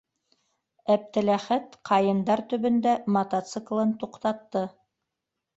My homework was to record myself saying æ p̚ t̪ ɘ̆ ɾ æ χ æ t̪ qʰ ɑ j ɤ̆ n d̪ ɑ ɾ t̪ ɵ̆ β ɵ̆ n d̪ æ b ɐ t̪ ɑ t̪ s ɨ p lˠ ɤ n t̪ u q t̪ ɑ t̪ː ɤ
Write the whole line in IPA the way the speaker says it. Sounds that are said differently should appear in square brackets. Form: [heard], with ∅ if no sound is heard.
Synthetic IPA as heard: æ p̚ t̪ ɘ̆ [l] æ χ æ t̪ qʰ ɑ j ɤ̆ n d̪ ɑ ɾ t̪ ɵ̆ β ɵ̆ n d̪ æ [m] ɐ t̪ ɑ t̪ s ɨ [k] lˠ ɤ n t̪ u q t̪ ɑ t̪ː ɤ